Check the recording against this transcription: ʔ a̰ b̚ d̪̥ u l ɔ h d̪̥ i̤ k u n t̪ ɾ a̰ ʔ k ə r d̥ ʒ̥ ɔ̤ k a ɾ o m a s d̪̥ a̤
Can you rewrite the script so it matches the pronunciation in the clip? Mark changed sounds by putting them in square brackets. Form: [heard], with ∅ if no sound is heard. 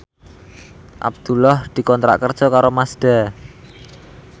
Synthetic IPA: ʔ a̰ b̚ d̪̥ u l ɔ h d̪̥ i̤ k [ɔ] n t̪ ɾ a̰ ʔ k ə r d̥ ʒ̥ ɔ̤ k a ɾ o m a s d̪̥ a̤

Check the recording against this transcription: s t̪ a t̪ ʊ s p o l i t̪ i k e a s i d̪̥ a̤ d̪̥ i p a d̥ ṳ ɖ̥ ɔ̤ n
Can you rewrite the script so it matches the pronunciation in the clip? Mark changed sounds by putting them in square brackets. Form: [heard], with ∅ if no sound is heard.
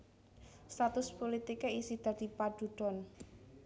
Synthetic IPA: s t̪ a t̪ ʊ s p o l i t̪ i k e [i] s i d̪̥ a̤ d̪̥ i p a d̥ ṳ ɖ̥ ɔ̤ n

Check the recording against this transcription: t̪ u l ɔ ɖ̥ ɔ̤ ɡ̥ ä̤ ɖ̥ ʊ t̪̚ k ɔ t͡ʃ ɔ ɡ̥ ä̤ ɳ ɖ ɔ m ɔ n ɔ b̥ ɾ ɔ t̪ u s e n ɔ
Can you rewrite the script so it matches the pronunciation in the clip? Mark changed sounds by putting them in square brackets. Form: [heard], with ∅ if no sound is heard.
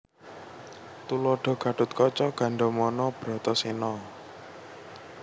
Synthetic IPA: t̪ u l ɔ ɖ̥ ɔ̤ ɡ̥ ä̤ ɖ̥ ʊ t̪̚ k ɔ t͡ʃ ɔ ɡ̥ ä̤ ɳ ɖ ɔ m ɔ n ɔ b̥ ɾ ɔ t̪ [ɔ] s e n ɔ

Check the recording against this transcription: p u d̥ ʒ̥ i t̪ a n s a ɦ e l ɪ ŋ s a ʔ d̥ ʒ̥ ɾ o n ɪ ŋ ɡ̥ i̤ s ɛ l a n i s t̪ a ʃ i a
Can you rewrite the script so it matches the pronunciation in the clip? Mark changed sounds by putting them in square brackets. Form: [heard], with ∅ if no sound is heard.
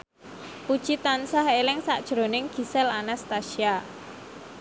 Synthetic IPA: p u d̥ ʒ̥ i t̪ a n s a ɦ e l ɪ ŋ s a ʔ d̥ ʒ̥ ɾ o n ɪ ŋ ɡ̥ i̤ s ɛ l a n [a] s t̪ a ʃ i a

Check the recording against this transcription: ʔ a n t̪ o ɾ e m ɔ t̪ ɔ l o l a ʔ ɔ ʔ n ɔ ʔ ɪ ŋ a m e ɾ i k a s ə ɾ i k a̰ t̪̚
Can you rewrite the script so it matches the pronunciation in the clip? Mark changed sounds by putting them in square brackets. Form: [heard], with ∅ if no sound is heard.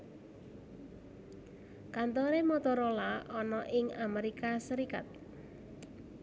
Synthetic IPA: [k] a n t̪ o ɾ e m ɔ t̪ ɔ [ɾ] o l a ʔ ɔ [∅] n ɔ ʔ ɪ ŋ a m e ɾ i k a s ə ɾ i k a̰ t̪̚

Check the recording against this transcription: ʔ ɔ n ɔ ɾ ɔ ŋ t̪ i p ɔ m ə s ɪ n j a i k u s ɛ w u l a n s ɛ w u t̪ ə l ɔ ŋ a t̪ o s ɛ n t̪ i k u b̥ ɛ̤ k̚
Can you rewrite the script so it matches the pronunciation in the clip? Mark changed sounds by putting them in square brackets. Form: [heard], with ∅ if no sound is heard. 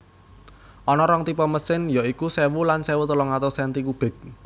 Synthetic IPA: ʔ ɔ n ɔ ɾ ɔ ŋ t̪ i p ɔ m ə s ɪ n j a i k u s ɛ w u l a n s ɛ w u t̪ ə l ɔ ŋ a t̪ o s ɛ n t̪ i k u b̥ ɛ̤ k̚

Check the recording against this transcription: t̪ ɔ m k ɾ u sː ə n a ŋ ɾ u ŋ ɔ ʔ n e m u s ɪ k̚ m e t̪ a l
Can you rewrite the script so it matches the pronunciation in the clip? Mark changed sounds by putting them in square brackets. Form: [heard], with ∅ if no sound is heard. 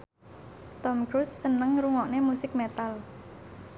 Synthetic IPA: t̪ ɔ m k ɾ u sː ə n [ə] ŋ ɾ u ŋ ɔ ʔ n e m u s ɪ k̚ m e t̪ a l

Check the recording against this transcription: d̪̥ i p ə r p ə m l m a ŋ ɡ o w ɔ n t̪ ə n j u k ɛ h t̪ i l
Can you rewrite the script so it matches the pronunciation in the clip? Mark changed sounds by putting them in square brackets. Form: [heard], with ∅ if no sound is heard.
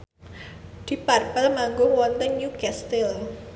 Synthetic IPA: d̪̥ i p [a] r p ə [∅] l m a ŋ ɡ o w ɔ n t̪ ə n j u k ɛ [s] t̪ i l

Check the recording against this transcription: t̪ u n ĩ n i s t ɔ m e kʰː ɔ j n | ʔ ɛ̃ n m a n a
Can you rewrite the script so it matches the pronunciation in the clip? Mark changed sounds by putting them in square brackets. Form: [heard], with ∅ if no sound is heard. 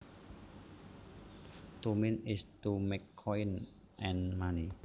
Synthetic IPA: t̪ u [m] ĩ n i s t [u] m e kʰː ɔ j n | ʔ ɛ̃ n m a n [i]

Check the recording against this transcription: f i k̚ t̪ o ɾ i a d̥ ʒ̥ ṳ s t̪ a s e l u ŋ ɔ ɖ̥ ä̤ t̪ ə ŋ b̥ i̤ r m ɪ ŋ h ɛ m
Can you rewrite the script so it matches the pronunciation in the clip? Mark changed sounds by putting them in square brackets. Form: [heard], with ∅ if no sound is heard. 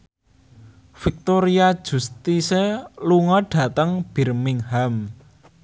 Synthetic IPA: f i k̚ t̪ o ɾ i a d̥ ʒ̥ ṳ s t̪ [i] s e l u ŋ ɔ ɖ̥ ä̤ t̪ ə ŋ b̥ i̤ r m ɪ ŋ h [a] m

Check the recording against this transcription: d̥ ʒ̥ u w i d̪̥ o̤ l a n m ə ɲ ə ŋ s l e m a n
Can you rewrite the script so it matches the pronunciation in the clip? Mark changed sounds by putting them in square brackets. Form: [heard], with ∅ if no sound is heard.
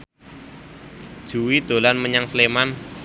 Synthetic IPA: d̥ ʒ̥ u w i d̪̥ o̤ l a n m ə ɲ [a] ŋ s l e m a n

